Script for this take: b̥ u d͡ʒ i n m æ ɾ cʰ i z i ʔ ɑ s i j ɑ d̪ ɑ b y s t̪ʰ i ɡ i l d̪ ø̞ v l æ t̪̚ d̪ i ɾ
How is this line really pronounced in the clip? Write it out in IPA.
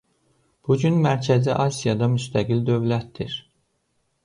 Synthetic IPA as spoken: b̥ u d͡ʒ y n m æ ɾ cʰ æ z i ʔ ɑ s i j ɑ d̪ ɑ m y s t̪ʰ æ ɡ i l d̪ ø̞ v l æ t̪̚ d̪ i ɾ